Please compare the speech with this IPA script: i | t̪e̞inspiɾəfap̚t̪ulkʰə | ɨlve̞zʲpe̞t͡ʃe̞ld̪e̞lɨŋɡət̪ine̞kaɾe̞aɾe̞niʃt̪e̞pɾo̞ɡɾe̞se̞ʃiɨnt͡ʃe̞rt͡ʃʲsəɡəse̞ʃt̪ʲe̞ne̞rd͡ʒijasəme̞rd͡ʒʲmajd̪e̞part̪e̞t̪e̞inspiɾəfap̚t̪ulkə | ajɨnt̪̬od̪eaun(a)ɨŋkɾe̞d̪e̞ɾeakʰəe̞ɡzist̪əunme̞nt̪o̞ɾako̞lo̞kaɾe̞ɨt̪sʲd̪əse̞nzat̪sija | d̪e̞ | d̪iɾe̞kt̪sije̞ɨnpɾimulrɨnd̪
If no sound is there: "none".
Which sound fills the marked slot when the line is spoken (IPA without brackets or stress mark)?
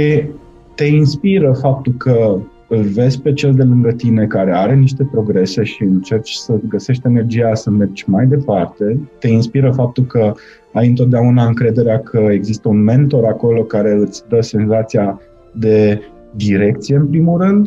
a